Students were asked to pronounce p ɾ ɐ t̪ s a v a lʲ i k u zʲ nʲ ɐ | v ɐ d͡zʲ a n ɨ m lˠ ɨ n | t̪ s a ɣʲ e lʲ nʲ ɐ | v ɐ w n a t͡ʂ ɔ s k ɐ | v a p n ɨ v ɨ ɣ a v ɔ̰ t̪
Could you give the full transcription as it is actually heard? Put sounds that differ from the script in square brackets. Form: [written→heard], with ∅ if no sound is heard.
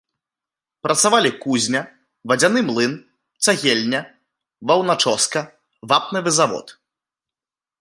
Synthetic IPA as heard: p ɾ ɐ t̪ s a v a lʲ i k u zʲ nʲ ɐ | v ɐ d͡zʲ a n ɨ m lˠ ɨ n | t̪ s a ɣʲ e lʲ nʲ ɐ | v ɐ w n a t͡ʂ ɔ s k ɐ | v a p n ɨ v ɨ [ɣ→z] a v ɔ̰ t̪